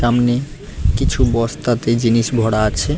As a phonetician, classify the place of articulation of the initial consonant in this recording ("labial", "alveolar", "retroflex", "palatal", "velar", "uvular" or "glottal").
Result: labial